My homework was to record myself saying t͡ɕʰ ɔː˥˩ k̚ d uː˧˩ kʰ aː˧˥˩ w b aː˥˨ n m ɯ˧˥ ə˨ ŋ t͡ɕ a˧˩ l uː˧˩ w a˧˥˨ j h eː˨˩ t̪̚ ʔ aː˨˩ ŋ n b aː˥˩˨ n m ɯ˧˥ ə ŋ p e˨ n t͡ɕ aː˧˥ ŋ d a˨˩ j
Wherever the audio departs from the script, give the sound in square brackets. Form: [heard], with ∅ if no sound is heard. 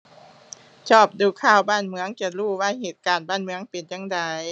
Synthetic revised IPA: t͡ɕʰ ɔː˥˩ [p̚] d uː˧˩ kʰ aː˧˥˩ w b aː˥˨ n m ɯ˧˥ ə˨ ŋ t͡ɕ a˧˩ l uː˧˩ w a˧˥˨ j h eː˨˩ t̪̚ [k] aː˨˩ [∅] n b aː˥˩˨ n m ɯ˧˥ ə ŋ p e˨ n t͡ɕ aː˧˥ ŋ d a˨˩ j